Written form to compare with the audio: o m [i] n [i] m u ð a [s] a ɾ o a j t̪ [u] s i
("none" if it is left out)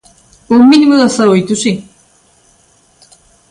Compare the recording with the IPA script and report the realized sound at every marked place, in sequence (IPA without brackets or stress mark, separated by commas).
i, i, s, u